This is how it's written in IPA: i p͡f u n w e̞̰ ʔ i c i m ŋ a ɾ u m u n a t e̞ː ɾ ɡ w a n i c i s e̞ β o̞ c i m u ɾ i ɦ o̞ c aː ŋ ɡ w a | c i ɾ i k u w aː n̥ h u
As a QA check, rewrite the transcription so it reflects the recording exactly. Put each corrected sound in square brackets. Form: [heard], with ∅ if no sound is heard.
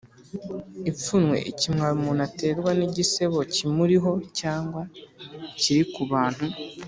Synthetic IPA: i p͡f u n w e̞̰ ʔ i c i m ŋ a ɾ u m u n a t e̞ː ɾ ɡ w a n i [ɟ] i s e̞ β o̞ c i m u ɾ i ɦ o̞ c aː ŋ ɡ w a | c i ɾ i k u [β] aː n̥ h u